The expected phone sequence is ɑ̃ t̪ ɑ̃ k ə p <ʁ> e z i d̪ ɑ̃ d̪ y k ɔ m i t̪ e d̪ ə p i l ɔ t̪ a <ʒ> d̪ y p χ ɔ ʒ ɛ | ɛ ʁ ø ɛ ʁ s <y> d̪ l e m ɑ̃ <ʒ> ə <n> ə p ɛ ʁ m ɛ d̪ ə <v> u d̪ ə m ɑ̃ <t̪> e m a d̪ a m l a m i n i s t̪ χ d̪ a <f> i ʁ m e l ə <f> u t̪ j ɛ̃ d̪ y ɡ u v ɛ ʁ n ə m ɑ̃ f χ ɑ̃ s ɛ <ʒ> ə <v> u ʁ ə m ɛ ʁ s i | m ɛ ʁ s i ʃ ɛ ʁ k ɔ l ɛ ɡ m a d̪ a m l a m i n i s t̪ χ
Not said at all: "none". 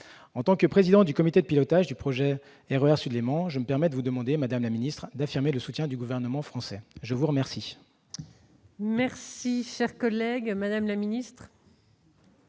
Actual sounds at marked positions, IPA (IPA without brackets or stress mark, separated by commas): χ, ʒ, y, ʒ, m, v, d̪, f, s, ʒ, v